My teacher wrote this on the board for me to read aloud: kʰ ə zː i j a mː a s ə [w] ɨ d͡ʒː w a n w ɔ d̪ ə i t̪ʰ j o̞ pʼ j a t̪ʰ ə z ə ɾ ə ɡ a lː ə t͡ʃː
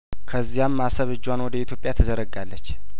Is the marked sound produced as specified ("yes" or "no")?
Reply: no